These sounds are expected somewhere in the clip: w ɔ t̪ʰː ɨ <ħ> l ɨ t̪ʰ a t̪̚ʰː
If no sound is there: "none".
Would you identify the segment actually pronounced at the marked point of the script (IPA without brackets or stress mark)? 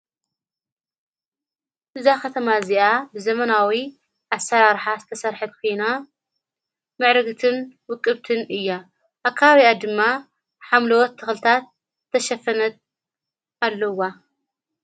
x